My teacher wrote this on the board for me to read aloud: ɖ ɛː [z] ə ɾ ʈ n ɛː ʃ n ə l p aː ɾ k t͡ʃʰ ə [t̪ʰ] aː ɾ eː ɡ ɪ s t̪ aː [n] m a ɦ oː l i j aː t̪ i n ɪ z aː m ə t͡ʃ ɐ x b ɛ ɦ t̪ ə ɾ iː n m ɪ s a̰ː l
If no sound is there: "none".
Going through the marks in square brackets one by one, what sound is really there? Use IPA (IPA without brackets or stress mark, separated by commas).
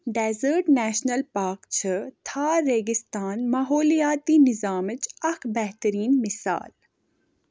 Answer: z, t̪ʰ, n